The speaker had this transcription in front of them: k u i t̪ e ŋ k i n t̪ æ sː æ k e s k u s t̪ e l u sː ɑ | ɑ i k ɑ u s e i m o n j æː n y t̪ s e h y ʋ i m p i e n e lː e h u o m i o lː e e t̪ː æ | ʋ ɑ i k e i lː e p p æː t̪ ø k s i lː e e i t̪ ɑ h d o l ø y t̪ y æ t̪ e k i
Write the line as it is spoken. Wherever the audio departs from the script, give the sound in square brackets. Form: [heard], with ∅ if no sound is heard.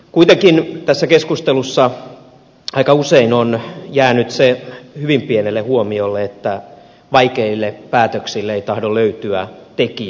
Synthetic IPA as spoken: k u i t̪ e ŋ k i n t̪ æ sː æ k e s k u s t̪ e l u sː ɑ | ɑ i k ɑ u s e i [n] o n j æː n y t̪ s e h y ʋ i m p i e n e lː e h u o m i o lː e e t̪ː æ | ʋ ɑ i k e i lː e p p æː t̪ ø k s i lː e e i t̪ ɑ h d o l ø y t̪ y æ t̪ e k i

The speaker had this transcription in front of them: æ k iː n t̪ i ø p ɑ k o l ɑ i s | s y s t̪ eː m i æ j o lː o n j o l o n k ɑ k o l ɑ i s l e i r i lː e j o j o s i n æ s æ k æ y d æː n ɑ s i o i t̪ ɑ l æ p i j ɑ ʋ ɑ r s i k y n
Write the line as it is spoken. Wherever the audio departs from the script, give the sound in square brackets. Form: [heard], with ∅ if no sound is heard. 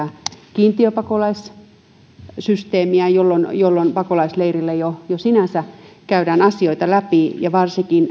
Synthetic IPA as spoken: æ k iː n t̪ i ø p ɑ k o l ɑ i s | s y s t̪ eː m i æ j o lː o n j o [lː] o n [p] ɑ k o l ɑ i s l e i r i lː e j o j o s i n æ s æ k æ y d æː n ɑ s i o i t̪ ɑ l æ p i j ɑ ʋ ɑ r s i k [i] n

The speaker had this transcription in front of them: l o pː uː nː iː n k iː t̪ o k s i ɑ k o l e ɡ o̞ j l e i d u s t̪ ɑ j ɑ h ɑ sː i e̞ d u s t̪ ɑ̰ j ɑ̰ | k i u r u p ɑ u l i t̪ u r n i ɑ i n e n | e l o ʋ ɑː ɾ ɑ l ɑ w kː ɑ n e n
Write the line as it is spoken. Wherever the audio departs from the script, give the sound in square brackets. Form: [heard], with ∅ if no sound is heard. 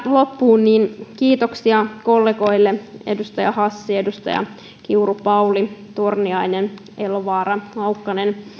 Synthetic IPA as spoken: l o pː uː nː iː n k iː t̪ o k s i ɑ k o [lː] e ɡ o̞ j [lː] e [e] d u s t̪ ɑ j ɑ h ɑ sː i e̞ d u s t̪ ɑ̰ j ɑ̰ | k i u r u p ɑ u l i t̪ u r n i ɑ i n e n | e l o ʋ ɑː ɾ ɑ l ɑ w kː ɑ n e n

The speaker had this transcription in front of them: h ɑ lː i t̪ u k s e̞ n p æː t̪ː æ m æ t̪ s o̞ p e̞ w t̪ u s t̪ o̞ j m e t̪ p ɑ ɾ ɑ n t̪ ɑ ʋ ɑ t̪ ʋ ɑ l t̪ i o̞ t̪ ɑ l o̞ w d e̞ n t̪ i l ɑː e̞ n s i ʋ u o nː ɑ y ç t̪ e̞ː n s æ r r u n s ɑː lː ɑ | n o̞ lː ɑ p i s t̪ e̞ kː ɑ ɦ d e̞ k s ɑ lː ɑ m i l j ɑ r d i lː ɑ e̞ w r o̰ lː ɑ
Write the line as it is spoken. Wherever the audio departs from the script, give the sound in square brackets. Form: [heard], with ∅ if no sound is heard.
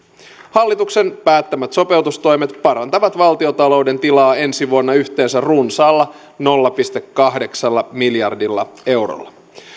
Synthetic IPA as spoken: h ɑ lː i t̪ u k s e̞ n p æː t̪ː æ m æ t̪ s o̞ p e̞ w t̪ u s t̪ o̞ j m e t̪ p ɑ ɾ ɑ n t̪ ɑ ʋ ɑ t̪ ʋ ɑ l t̪ i o̞ t̪ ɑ l o̞ w d e̞ n t̪ i l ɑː e̞ n s i ʋ u o nː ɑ y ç t̪ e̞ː n s æ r r u n s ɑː lː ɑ | n o̞ lː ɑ p i s t̪ e̞ kː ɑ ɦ d e̞ k s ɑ lː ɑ m i l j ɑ r d i lː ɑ e̞ w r o̰ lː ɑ

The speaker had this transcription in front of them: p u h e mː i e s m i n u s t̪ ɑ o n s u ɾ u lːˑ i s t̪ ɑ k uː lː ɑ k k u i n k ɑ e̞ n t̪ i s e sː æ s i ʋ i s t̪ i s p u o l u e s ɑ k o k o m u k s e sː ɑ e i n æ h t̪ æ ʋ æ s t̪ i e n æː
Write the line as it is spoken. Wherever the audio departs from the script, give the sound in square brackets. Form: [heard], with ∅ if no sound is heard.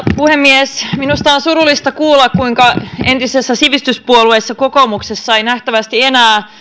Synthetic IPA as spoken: p u h e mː i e s m i n u s t̪ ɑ o n s u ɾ u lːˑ i s t̪ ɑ k uː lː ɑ k k u i [ŋ] k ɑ e̞ n t̪ i s e sː æ s i ʋ i s t̪ [y] s p u o l u e [sː] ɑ k o k o m u k s e sː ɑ e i n æ h t̪ æ ʋ æ s t̪ i e n æː

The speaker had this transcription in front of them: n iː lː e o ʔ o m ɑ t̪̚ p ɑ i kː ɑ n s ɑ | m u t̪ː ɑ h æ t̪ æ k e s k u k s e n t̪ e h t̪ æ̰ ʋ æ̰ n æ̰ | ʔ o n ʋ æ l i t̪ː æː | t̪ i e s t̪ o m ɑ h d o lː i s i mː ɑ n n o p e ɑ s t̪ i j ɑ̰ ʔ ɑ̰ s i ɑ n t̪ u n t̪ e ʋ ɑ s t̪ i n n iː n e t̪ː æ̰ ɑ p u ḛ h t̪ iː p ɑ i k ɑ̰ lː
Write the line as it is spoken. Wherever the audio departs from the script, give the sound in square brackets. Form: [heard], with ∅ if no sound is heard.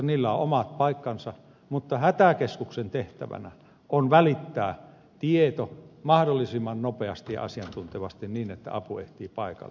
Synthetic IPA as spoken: n iː lː [æ] o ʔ o m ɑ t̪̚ p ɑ i kː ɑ n s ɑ | m u t̪ː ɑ h æ t̪ æ k e s k u k s e n t̪ e h t̪ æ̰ ʋ æ̰ n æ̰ | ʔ o n ʋ æ l i t̪ː æː | t̪ i e [∅] t̪ o m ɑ h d o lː i s i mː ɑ n n o p e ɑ s t̪ i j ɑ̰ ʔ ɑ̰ s i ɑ n t̪ u n t̪ e ʋ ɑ s t̪ i n n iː n e t̪ː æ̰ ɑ p u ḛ h t̪ iː p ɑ i k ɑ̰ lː

